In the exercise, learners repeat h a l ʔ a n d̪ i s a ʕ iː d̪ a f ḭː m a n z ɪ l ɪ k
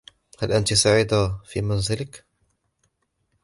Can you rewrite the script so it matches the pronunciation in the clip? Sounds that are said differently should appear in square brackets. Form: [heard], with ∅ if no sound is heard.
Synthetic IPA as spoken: h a l ʔ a n [t̪] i s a ʕ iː d̪ a f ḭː m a n z ɪ l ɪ k